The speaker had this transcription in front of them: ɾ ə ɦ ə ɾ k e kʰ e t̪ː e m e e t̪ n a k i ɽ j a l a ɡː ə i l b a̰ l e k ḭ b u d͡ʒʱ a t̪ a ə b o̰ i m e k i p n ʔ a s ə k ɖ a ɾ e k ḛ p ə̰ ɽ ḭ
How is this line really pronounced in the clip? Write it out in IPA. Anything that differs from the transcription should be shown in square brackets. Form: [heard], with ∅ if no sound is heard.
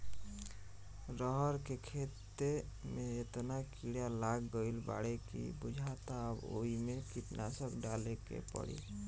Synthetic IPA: ɾ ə ɦ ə ɾ k e kʰ e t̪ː e m e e t̪ n a k i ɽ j a l a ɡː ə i l b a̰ [ɽ] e k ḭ b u d͡ʒʱ a t̪ a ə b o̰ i m e k i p n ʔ a s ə k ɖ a [l] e k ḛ p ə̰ ɽ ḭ